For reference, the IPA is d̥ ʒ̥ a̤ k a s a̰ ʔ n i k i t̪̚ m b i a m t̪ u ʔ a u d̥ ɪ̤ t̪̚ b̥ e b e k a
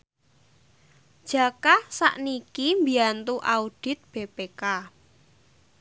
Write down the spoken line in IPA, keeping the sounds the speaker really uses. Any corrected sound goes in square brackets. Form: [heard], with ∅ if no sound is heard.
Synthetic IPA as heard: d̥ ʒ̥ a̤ k a s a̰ ʔ n i k i [∅] m b i a [n] t̪ u ʔ a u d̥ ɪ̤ t̪̚ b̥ e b e k a